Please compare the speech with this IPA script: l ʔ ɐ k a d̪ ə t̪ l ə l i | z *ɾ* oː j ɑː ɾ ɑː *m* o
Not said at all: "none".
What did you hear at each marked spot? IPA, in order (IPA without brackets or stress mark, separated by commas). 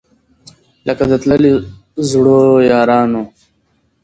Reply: ɽ, n